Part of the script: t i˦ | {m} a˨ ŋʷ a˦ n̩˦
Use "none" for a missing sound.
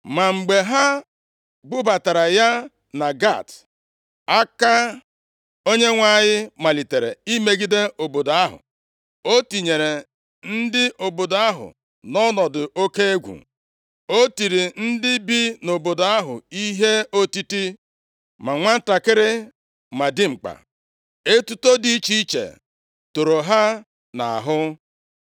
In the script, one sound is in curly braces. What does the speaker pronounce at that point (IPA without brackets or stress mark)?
m